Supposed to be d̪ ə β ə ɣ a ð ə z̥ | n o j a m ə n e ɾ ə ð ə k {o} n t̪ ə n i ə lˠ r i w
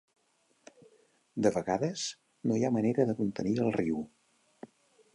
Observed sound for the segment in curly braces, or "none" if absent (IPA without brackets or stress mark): u